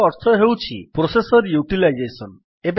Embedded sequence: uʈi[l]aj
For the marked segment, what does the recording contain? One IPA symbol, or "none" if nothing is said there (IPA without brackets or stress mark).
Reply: l